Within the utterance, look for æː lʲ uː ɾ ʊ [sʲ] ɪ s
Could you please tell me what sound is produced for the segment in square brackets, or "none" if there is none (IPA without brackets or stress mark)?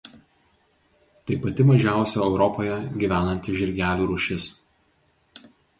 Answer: ʃʲ